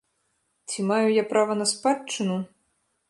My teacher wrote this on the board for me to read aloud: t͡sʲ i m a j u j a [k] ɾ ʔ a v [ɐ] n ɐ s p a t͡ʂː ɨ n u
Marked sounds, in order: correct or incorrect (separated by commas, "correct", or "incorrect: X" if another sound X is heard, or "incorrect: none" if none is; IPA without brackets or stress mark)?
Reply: incorrect: p, correct